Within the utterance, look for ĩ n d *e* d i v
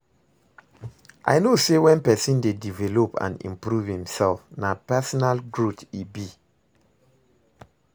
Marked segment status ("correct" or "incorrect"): correct